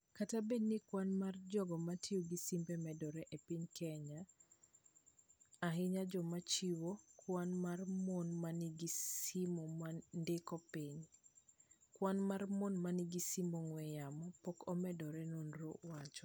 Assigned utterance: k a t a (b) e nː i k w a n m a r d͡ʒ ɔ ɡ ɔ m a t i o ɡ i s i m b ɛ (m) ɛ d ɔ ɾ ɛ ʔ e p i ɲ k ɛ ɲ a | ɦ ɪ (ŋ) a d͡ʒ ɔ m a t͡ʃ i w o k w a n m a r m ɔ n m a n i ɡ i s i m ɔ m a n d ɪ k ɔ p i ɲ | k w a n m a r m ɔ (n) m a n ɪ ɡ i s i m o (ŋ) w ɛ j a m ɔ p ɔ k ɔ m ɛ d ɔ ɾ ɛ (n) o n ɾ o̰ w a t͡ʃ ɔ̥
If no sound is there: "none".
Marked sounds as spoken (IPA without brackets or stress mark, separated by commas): b, m, ɲ, n, ŋ, n